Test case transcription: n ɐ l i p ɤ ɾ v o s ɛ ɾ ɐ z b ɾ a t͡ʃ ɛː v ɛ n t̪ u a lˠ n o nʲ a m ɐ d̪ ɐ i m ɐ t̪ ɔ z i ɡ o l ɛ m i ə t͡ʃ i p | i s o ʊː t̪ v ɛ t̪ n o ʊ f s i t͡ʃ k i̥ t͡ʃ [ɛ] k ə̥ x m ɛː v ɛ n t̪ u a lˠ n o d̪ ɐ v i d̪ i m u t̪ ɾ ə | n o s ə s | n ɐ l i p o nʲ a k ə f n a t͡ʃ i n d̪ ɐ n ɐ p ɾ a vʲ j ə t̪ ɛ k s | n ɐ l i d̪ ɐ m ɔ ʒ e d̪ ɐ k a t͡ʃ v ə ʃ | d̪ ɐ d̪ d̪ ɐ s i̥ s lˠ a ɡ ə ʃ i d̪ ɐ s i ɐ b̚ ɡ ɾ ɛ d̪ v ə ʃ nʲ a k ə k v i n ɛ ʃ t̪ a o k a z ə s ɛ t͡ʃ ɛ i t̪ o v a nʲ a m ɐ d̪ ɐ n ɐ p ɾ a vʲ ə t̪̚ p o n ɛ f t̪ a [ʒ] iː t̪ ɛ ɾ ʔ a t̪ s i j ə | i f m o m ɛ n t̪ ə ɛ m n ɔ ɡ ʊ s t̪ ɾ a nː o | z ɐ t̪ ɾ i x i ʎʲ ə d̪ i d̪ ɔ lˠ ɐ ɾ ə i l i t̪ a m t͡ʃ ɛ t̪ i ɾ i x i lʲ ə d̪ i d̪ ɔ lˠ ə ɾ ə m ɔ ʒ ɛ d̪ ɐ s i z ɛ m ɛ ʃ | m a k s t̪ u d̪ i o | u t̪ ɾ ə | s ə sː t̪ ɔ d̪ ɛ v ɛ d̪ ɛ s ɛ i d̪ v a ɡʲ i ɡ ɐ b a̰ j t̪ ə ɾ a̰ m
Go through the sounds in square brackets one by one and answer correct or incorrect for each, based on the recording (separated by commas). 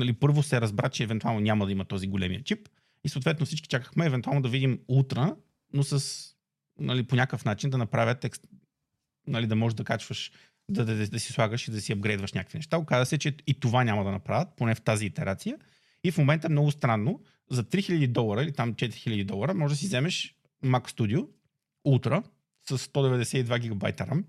incorrect, incorrect